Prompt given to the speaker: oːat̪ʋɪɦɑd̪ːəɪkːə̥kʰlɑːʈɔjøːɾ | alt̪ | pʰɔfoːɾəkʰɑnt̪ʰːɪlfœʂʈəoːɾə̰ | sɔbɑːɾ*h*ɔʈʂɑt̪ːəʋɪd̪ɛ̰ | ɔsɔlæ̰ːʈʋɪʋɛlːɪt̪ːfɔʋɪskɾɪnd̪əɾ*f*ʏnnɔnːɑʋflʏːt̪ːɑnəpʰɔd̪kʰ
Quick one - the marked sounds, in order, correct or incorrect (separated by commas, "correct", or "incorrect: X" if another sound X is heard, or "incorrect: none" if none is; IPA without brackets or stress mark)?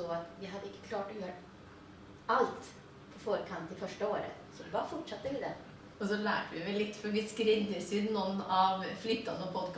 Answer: incorrect: f, incorrect: s